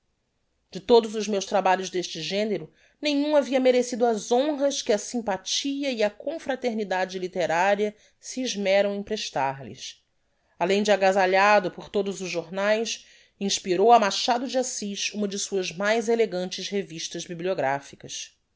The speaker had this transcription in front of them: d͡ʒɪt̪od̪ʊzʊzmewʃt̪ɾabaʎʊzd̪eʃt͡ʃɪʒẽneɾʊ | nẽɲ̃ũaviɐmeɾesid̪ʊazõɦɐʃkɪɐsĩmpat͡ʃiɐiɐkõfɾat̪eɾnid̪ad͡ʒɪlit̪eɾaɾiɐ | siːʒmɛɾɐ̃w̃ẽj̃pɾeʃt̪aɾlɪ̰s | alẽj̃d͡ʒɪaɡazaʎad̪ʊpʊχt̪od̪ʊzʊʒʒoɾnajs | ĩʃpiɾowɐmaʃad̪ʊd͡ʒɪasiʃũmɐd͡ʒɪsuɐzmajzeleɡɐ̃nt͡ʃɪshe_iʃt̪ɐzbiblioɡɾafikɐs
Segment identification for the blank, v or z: v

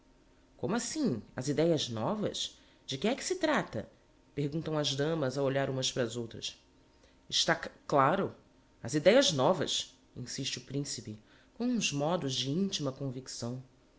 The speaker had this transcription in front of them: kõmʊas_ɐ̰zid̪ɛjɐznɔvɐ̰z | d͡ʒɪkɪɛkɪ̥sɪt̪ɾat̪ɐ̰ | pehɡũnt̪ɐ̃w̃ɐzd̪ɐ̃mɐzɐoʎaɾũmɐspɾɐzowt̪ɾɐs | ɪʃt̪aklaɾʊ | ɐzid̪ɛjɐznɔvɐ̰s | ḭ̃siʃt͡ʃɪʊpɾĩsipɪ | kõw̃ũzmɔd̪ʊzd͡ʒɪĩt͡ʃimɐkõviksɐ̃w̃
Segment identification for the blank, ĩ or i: ĩ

